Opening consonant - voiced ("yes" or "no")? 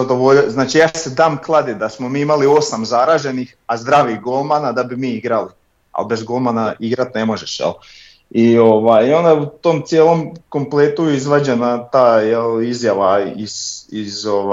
yes